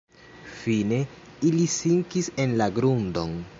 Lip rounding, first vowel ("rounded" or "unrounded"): unrounded